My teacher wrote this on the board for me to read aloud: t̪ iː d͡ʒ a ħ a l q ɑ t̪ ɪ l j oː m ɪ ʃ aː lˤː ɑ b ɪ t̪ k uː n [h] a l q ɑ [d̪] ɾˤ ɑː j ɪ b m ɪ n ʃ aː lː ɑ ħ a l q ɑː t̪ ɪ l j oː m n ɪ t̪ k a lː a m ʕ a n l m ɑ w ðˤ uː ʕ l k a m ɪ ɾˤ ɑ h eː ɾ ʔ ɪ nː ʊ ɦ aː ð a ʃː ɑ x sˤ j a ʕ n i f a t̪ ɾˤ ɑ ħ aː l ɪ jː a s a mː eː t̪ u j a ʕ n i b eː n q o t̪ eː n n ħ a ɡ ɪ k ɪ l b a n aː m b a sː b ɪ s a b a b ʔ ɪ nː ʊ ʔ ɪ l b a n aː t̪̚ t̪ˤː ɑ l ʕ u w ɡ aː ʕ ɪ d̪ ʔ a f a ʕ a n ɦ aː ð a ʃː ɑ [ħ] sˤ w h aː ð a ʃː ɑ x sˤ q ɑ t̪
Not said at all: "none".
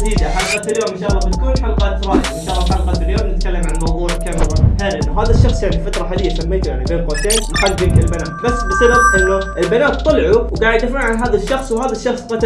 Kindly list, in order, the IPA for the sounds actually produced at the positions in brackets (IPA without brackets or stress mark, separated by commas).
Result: ħ, t̪, x